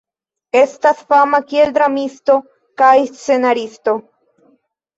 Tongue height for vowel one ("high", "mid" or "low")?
mid